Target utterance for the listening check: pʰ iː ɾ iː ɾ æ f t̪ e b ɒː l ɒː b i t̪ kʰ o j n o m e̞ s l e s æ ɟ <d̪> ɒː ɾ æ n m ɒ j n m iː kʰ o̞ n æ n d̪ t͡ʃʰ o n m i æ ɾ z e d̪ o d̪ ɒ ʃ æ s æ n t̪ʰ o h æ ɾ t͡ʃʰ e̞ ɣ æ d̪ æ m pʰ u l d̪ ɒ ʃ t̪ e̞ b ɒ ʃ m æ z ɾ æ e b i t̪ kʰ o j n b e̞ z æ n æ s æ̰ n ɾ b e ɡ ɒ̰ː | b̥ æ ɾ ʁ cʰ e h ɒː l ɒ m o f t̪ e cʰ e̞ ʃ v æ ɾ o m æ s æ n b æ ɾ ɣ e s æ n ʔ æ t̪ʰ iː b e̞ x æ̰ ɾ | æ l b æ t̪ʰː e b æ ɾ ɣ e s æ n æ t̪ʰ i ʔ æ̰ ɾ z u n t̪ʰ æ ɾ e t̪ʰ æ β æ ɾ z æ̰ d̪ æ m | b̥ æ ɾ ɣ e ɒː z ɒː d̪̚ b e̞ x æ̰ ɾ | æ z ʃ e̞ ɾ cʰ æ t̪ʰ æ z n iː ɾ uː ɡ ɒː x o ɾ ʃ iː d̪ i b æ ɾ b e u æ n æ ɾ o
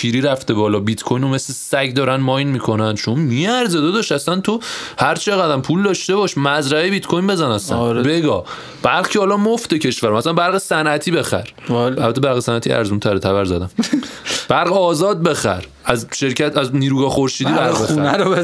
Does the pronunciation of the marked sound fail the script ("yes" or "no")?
no